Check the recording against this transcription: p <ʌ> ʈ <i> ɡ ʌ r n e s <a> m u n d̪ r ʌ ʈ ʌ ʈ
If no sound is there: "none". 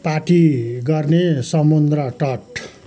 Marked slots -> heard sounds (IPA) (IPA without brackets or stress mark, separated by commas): a, i, ʌ